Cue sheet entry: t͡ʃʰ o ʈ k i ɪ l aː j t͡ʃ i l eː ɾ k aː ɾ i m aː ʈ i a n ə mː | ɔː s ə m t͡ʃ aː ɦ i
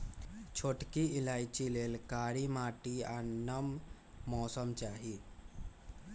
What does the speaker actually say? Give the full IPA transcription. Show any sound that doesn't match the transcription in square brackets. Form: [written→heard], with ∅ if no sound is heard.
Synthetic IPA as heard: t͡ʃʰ o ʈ k i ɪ l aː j t͡ʃ i l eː [ɾ→l] k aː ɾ i m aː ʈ i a n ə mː | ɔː s ə m t͡ʃ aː ɦ i

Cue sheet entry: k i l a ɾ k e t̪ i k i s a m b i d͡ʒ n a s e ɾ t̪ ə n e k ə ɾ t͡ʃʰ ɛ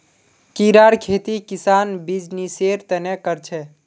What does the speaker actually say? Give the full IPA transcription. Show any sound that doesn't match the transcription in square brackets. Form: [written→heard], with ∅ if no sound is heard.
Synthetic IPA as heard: k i [l→ɾ] a ɾ [k→kʰ] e t̪ i k i s a [m→n] b i d͡ʒ n [a→i] s e ɾ t̪ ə n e k ə ɾ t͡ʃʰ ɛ

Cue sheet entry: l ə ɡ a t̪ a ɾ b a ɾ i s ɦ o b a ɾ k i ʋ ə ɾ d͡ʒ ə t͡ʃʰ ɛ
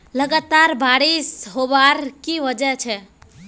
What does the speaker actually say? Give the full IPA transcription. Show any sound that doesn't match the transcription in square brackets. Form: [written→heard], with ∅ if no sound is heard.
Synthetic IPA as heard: l ə ɡ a t̪ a ɾ b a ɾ i s ɦ o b a ɾ k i ʋ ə [ɾ→∅] d͡ʒ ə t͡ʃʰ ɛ

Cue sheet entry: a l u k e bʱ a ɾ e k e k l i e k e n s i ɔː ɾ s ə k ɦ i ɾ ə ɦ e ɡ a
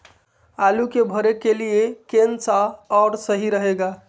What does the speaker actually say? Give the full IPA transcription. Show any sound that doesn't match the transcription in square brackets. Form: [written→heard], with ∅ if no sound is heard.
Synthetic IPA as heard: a l u k e bʱ [a→ə] ɾ e k e [k→∅] l i e k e n s [i→a] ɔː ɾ s ə [k→∅] ɦ i ɾ ə ɦ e ɡ a

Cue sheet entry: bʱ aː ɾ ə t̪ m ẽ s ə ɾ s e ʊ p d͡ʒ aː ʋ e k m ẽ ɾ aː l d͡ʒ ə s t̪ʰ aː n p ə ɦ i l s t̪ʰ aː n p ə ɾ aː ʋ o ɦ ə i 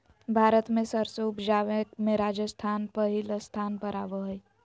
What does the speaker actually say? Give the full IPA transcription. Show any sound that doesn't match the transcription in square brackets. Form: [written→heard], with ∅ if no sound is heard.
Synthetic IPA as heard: bʱ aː ɾ ə t̪ m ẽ s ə ɾ s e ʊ p d͡ʒ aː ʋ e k m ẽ ɾ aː [l→∅] d͡ʒ ə s t̪ʰ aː n p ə ɦ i l s t̪ʰ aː n p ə ɾ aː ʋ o ɦ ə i

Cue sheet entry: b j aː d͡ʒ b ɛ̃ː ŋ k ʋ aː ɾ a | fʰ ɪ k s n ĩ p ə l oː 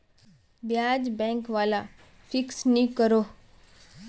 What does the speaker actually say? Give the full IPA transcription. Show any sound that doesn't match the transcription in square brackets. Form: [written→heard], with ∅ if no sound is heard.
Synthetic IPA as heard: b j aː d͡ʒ b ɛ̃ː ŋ k ʋ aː [ɾ→l] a | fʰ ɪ k s n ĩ [p→k] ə [l→ɾ] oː

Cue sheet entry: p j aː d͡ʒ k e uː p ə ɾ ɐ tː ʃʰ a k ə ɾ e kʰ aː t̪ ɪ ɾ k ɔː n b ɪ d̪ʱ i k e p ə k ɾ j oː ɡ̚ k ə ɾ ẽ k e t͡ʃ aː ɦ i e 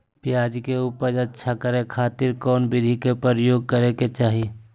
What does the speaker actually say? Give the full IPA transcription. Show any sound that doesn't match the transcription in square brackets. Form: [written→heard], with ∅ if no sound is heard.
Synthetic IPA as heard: p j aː d͡ʒ k e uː p ə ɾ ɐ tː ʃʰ a k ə ɾ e kʰ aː t̪ ɪ ɾ k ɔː n b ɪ d̪ʱ i k e p ə [k→∅] ɾ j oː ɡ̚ k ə ɾ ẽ k e t͡ʃ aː ɦ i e

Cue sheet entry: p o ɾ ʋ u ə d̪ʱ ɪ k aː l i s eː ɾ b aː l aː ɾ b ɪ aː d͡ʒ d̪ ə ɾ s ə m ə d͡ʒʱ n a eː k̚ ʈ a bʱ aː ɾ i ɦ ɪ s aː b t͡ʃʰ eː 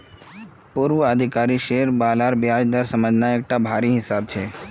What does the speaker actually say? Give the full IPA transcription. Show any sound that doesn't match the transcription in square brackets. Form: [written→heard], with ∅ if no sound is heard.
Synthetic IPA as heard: p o ɾ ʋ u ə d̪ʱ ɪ k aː [l→ɾ] i [s→ʃ] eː ɾ b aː l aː ɾ b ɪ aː d͡ʒ d̪ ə ɾ s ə m ə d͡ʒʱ n a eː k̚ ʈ a bʱ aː ɾ i ɦ ɪ s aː b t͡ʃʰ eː

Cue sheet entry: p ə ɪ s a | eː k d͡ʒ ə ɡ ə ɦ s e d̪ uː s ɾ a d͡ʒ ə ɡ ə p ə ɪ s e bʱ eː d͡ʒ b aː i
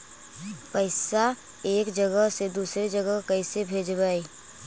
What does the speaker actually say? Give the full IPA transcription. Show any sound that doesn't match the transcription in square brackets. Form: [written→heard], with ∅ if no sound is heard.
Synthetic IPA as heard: p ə ɪ s a | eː k d͡ʒ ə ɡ ə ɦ s e d̪ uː s ɾ [a→e] d͡ʒ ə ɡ ə [p→k] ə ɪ s e bʱ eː d͡ʒ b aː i

